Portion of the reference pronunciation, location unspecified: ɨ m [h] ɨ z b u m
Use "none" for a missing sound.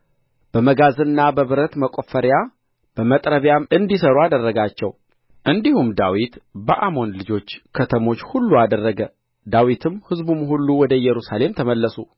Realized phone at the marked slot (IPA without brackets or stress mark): h